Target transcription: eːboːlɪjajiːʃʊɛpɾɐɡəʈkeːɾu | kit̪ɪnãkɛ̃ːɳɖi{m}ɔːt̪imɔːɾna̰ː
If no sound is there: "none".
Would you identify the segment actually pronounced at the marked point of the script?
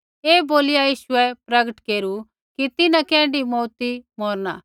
m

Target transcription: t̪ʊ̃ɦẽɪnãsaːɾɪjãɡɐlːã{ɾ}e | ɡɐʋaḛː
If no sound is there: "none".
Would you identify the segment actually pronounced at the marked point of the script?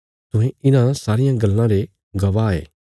ɾ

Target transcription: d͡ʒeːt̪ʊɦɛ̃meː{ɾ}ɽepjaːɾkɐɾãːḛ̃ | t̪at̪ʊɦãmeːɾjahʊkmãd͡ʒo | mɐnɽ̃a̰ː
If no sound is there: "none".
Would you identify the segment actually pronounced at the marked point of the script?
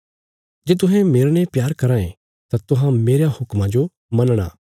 ɾ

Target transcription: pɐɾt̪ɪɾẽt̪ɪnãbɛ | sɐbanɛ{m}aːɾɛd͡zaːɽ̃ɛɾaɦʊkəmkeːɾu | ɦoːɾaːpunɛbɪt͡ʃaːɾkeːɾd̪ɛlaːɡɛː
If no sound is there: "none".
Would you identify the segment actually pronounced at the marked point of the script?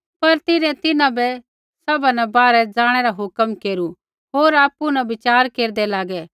b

